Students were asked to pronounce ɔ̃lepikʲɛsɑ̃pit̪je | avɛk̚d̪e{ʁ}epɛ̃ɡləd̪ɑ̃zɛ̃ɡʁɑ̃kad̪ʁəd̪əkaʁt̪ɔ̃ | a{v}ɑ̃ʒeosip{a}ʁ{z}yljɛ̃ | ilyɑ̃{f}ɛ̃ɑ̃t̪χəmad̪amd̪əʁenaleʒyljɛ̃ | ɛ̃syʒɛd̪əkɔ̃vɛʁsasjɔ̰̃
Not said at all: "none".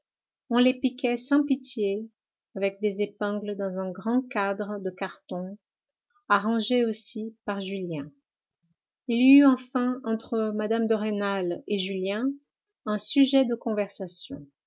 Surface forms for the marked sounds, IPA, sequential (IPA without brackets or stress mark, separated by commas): z, ʁ, a, ʒ, f